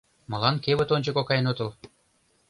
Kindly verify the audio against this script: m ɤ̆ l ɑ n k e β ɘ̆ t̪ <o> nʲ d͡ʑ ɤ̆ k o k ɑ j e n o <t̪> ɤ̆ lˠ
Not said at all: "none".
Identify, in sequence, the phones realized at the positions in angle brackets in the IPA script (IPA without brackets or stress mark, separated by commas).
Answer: o, t̪